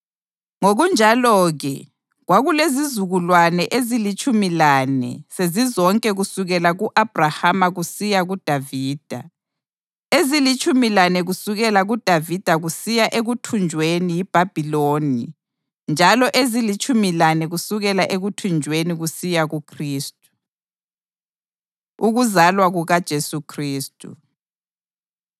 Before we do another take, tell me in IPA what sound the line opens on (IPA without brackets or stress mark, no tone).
ŋ